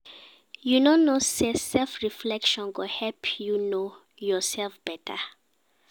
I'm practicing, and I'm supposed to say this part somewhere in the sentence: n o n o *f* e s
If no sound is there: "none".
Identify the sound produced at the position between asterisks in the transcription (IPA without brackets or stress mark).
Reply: s